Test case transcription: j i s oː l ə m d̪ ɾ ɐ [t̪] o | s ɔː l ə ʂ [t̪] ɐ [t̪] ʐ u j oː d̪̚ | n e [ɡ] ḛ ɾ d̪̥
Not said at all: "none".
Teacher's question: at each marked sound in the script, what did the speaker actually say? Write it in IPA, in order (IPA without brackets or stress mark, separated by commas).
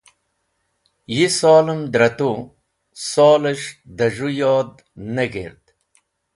t̪, d̪, none, ɡ